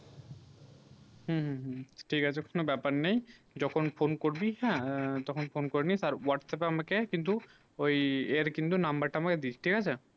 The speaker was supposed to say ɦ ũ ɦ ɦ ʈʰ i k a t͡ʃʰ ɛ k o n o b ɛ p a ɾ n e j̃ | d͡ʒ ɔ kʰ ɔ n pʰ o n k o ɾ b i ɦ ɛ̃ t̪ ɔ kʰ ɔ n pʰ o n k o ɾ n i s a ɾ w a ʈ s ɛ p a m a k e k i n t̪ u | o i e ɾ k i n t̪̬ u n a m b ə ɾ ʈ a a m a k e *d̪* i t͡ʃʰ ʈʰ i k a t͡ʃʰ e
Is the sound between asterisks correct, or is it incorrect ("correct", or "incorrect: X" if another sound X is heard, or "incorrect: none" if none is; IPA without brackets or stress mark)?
correct